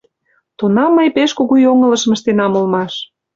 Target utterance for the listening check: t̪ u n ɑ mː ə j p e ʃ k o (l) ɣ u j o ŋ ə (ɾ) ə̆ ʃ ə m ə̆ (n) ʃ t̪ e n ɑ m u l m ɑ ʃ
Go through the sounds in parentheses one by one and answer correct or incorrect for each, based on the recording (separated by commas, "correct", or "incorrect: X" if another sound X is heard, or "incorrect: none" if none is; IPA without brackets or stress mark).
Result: incorrect: none, incorrect: l, incorrect: none